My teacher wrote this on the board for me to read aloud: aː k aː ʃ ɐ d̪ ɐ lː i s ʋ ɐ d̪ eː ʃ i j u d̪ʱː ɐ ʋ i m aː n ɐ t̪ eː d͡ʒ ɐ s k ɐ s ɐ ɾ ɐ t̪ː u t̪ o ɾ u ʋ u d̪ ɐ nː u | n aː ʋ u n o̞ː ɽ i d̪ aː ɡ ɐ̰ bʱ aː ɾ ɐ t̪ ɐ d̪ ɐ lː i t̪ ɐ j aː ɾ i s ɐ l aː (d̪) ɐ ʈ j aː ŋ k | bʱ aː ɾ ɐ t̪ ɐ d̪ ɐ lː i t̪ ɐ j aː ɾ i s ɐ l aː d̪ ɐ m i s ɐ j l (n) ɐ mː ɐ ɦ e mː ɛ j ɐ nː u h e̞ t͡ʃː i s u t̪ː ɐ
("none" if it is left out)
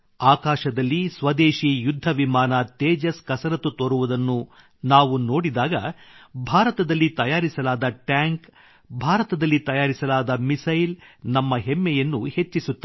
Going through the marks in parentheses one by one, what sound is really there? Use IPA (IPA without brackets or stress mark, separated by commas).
d̪, n